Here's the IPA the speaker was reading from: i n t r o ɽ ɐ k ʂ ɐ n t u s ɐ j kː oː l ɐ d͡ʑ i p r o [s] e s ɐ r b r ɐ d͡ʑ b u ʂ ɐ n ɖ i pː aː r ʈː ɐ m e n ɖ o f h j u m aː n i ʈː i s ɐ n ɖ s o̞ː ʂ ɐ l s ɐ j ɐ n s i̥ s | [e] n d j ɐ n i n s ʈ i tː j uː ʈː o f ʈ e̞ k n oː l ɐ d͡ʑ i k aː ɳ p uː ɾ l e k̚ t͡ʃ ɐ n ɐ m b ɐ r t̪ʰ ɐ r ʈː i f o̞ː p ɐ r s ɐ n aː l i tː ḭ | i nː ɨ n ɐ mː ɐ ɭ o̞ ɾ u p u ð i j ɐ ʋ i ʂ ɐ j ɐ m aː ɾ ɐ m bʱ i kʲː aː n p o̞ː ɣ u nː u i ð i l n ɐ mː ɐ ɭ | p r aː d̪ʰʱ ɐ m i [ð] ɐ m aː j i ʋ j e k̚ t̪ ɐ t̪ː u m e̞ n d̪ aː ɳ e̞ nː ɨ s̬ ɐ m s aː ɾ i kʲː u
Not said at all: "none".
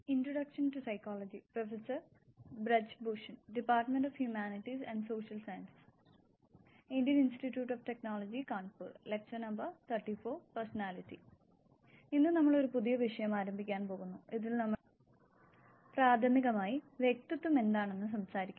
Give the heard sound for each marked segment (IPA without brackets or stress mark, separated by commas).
f, i, ɣ